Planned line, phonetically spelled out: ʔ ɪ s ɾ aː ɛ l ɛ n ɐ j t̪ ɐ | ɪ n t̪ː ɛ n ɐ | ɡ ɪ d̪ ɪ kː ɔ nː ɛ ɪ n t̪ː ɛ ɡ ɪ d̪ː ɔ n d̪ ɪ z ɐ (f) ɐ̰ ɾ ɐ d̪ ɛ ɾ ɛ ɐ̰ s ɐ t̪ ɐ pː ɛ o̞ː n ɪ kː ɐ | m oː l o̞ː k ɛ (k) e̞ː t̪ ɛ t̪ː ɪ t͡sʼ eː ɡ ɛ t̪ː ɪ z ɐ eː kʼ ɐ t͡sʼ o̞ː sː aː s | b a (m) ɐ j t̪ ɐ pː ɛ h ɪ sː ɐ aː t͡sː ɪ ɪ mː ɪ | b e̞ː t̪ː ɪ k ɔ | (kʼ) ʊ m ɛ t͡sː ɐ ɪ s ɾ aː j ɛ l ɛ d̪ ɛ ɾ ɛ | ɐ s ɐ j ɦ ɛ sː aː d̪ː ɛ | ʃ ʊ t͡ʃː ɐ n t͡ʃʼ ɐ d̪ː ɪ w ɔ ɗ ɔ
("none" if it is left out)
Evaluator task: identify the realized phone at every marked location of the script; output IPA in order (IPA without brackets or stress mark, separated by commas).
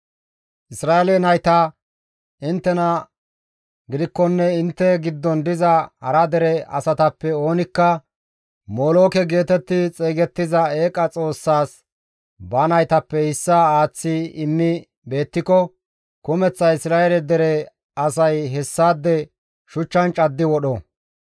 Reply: h, ɡ, n, k